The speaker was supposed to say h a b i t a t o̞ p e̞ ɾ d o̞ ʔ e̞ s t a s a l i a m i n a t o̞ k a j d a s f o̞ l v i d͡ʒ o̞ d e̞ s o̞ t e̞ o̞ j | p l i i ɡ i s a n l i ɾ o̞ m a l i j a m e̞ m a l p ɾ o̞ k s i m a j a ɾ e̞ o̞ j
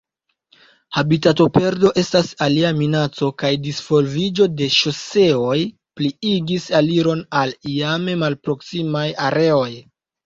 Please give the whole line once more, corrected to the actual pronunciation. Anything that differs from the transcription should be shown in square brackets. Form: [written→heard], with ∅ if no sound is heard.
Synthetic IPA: h a b i t a t o̞ p e̞ ɾ d o̞ ʔ e̞ s t a s a l i a m i n a [t→t͡s] o̞ k a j d [a→i] s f o̞ l v i d͡ʒ o̞ d e̞ [s→ʃ] o̞ [t→s] e̞ o̞ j | p l i i ɡ i s a [n→∅] l i ɾ o̞ [m→n] a l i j a m e̞ m a l p ɾ o̞ k s i m a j a ɾ e̞ o̞ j